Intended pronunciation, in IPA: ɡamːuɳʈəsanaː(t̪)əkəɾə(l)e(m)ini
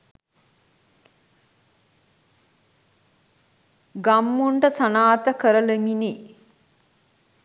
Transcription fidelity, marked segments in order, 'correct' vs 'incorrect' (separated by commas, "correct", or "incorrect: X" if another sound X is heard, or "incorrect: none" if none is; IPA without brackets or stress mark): correct, correct, correct